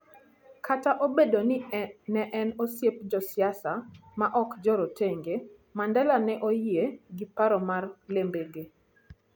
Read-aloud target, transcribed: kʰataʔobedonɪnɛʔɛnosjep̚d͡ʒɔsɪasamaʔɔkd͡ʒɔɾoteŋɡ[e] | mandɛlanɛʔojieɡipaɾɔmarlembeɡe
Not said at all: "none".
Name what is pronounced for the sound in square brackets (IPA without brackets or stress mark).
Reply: e